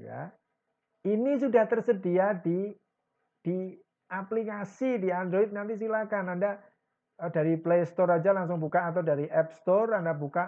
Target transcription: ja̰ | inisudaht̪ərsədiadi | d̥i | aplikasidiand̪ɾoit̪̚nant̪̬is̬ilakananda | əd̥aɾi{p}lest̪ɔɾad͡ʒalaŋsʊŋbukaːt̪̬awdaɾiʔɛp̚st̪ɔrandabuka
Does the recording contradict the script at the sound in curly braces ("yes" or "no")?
no